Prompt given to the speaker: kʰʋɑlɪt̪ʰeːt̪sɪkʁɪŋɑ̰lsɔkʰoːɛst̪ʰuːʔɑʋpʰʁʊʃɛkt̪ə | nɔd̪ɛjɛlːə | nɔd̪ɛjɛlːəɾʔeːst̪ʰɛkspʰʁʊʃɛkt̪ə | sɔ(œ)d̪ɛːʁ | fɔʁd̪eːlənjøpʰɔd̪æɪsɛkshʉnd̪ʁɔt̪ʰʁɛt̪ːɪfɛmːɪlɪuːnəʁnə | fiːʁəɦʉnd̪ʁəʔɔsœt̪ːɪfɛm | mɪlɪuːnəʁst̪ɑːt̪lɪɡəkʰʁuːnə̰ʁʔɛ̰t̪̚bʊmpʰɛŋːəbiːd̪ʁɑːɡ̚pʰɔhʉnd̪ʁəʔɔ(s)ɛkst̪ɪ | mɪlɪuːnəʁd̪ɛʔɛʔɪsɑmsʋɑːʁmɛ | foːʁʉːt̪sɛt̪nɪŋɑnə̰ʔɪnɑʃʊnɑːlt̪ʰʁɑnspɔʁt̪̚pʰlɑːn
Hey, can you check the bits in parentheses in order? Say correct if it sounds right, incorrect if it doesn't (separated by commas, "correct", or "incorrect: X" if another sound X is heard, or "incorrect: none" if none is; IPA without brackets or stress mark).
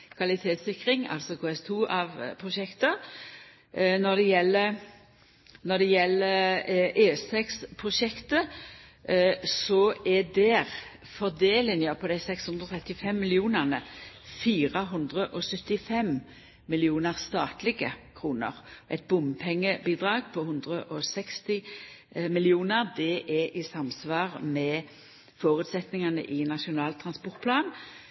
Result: incorrect: ɛ, correct